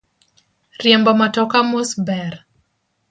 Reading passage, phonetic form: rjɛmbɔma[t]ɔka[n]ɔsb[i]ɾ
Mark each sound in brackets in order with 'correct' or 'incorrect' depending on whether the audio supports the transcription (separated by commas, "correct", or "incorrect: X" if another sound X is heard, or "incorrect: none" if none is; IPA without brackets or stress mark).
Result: correct, incorrect: m, incorrect: ɛ